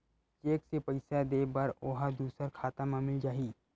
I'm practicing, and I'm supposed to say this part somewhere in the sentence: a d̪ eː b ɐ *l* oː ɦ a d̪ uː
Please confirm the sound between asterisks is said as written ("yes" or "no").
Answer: no